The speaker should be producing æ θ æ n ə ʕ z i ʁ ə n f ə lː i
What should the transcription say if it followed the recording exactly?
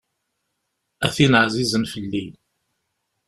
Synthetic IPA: æ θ i n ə ʕ z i z ə n f ə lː i